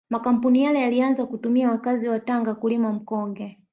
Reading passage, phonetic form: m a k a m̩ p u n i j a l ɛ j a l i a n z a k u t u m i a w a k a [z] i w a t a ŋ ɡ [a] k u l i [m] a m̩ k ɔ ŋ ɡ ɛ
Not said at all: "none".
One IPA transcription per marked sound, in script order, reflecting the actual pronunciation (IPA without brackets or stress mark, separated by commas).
z, a, m